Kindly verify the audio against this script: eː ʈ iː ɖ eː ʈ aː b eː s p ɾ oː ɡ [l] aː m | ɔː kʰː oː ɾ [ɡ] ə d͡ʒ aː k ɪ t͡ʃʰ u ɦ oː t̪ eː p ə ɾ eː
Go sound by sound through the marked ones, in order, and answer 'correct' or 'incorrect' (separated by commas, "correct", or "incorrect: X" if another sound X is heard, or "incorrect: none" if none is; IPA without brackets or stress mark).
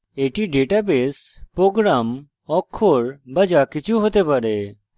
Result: incorrect: ɾ, incorrect: b